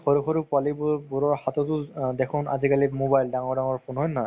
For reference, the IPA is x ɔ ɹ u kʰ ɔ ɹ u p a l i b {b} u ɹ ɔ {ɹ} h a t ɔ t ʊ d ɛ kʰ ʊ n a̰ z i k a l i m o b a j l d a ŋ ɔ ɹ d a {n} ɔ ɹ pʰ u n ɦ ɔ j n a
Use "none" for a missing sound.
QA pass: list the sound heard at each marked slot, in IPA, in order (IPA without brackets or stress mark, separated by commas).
b, ɹ, ŋ